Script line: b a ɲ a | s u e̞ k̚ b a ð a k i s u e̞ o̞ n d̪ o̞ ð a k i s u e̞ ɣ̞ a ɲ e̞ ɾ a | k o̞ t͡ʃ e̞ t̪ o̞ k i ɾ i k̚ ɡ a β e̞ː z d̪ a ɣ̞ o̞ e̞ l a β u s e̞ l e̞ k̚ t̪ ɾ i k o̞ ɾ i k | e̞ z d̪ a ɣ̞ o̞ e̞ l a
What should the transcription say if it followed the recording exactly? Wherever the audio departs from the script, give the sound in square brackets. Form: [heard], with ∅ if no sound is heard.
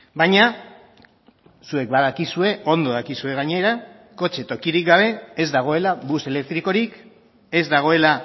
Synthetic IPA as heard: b a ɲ a | s u e̞ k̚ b a ð a k i s u e̞ o̞ n d̪ o̞ ð a k i s u e̞ ɣ̞ a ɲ e̞ ɾ a | k o̞ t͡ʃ e̞ t̪ o̞ k i ɾ i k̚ ɡ a β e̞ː z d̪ a ɣ̞ o̞ e̞ l a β u s e̞ l e̞ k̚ t̪ ɾ i k o̞ ɾ i k | e̞ z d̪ a ɣ̞ o̞ e̞ l a